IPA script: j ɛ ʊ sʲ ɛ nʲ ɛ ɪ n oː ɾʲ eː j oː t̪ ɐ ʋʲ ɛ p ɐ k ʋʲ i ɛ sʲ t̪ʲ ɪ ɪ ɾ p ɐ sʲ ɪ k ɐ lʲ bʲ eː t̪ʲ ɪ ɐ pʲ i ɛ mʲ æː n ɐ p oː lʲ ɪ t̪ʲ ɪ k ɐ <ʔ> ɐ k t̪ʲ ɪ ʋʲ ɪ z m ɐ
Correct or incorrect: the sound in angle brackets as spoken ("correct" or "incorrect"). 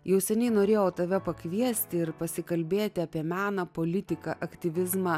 correct